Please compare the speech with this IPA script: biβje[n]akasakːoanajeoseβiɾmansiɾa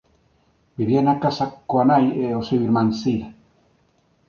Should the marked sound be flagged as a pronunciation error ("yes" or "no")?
no